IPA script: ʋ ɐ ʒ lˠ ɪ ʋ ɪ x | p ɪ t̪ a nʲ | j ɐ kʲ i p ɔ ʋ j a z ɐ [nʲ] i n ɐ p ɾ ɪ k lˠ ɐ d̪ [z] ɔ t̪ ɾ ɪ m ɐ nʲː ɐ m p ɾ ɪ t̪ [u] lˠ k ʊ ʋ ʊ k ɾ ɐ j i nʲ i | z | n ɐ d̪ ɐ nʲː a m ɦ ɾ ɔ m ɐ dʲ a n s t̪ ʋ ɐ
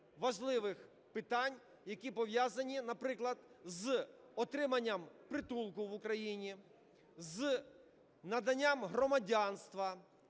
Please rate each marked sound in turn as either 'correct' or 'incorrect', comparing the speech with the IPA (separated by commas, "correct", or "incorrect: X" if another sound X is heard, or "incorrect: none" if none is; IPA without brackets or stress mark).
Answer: correct, correct, correct